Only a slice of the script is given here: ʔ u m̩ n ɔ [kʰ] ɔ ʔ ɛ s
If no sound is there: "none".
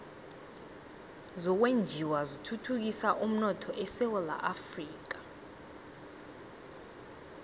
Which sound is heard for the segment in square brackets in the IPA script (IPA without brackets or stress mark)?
tʰ